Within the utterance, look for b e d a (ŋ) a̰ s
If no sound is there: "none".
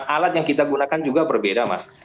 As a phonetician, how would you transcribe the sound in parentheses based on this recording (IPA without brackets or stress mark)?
m